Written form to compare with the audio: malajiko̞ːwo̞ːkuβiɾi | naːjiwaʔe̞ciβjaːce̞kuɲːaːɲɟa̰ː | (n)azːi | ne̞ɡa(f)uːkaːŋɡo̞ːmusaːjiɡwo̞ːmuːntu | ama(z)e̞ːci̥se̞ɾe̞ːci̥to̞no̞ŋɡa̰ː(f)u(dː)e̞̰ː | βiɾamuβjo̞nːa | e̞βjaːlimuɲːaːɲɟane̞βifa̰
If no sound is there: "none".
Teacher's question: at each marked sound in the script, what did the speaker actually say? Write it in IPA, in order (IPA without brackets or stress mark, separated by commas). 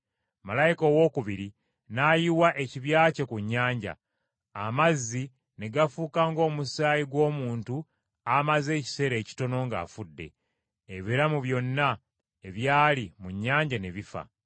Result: m, f, z, f, dː